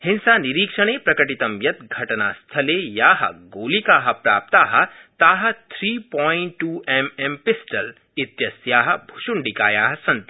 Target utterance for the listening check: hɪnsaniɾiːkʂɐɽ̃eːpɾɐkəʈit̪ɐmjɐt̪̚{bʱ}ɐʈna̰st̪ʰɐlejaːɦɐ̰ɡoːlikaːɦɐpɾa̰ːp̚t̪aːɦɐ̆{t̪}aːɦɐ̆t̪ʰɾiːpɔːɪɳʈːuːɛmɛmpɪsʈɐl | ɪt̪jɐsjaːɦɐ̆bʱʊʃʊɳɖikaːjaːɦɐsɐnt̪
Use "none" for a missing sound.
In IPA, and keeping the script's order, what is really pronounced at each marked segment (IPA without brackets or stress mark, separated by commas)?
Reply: ɡʱ, t̪